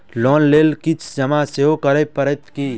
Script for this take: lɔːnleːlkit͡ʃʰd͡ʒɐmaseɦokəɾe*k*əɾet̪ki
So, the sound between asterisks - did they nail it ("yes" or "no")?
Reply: no